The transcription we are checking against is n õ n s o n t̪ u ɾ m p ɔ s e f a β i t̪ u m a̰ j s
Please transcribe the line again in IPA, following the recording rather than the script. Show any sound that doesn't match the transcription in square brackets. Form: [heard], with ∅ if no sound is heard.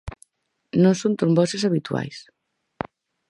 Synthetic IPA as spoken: n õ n s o n t̪ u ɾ m [b] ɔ s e [s] a β i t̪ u [∅] a̰ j s